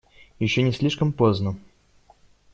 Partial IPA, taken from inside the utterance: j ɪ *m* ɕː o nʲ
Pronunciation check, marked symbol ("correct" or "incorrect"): incorrect